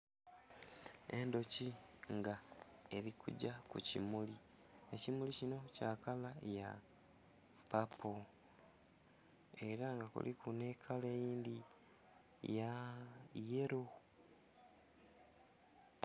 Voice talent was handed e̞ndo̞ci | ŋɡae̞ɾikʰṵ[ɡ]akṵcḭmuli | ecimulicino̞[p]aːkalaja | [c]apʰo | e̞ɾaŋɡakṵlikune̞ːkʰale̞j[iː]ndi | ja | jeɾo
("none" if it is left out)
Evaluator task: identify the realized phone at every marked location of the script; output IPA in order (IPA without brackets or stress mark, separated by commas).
ɟ, c, p, iː